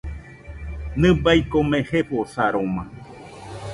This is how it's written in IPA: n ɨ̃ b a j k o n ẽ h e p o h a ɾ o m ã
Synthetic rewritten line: n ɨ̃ b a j k o m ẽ h e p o s a ɾ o m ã